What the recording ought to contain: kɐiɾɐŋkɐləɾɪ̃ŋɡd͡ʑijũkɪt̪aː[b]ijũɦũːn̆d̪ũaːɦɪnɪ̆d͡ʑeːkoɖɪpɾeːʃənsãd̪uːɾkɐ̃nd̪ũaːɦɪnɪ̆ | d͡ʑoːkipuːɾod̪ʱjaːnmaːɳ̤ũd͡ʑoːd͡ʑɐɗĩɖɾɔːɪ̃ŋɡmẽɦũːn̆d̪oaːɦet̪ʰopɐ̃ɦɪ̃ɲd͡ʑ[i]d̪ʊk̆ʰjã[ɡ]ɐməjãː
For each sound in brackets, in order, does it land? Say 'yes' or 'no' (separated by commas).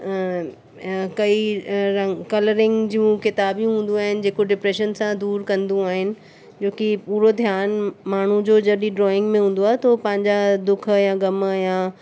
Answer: yes, no, yes